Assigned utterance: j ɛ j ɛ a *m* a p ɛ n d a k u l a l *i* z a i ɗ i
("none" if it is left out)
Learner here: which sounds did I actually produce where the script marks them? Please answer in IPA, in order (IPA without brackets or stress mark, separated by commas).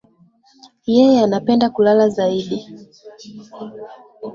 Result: n, a